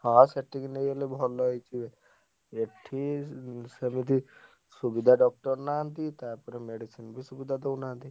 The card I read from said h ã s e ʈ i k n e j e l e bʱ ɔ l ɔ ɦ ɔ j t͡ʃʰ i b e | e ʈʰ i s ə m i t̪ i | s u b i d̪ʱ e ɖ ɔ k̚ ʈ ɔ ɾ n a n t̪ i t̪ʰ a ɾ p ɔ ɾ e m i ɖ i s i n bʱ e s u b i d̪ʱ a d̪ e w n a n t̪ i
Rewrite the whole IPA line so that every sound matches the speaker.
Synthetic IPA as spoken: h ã s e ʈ i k n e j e l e bʱ ɔ l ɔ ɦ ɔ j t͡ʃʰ i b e | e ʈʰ i s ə m i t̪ i | s u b i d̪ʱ a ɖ ɔ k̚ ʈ ɔ ɾ n a n t̪ i t̪ a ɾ p ɔ ɾ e m e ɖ i s i n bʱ i s u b i d̪ʱ a d̪ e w n a n t̪ i

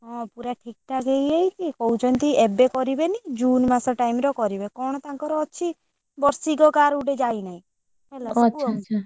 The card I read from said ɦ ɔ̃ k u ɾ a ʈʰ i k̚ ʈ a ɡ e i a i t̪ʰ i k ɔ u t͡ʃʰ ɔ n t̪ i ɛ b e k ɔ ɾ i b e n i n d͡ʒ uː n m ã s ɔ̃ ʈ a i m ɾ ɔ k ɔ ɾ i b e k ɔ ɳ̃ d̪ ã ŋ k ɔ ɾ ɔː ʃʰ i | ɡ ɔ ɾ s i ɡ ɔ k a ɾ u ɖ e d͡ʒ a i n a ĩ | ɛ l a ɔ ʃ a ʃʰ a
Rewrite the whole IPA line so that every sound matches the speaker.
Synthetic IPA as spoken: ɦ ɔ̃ p u ɾ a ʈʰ i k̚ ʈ a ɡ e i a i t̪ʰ i k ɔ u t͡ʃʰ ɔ n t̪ i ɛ b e k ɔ ɾ i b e n i d͡ʒ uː n m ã s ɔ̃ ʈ a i m ɾ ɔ k ɔ ɾ i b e k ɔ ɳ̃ t̪ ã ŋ k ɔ ɾ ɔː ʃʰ i | b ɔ ɾ s i ɡ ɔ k a ɾ u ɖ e d͡ʒ a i n a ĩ | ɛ l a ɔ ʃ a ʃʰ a

